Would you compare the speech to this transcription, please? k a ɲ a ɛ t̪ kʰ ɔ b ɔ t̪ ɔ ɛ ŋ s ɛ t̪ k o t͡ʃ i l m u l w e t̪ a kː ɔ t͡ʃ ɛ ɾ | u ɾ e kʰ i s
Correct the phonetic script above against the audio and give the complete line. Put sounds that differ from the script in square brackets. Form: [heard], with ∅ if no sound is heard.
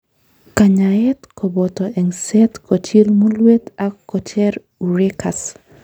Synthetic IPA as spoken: k a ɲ a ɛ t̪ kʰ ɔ b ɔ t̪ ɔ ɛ ŋ s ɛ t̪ k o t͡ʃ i l m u l w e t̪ a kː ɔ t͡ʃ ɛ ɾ | u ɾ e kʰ [a] s